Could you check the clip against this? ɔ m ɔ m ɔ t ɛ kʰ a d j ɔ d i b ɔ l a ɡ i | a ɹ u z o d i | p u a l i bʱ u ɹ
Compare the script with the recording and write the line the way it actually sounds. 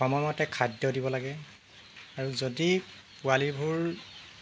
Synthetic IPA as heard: ɔ m ɔ m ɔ t ɛ kʰ a d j ɔ d i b ɔ l a ɡ ɛ | a ɹ u z o d i | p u a l i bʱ u ɹ

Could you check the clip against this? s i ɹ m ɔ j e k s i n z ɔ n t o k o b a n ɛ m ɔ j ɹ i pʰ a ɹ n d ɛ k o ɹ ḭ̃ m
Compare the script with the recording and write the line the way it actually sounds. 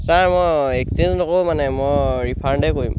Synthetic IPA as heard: s a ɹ m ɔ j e k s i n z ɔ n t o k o m a n ɛ m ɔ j ɹ i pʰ a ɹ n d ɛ k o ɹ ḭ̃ m

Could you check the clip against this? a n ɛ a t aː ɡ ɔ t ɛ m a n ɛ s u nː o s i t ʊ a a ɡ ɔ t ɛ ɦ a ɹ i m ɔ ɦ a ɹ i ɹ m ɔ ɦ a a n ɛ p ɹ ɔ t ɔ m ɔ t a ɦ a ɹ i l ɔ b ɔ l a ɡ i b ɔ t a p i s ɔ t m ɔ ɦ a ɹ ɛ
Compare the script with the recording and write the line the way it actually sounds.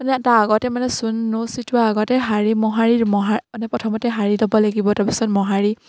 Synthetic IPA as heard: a n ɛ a t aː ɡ ɔ t ɛ m a n ɛ s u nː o s i t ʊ a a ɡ ɔ t ɛ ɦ a ɹ i m ɔ ɦ a ɹ i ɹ m ɔ ɦ a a n ɛ p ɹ ɔ tʰ ɔ m ɔ t ɛ ɦ a ɹ i l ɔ b ɔ l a ɡ i b ɔ t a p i s ɔ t m ɔ ɦ a ɹ i

